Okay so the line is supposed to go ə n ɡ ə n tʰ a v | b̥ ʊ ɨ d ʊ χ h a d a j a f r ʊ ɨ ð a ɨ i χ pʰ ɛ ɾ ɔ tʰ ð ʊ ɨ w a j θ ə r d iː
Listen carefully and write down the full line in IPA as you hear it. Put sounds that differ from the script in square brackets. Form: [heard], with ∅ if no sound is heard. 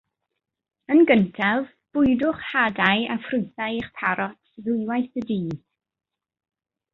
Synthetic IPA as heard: ə n ɡ ə n tʰ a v | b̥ ʊ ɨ d ʊ χ h a d a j a f r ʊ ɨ [θ] a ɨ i χ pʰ [a] ɾ ɔ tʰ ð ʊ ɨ w a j θ ə [∅] d iː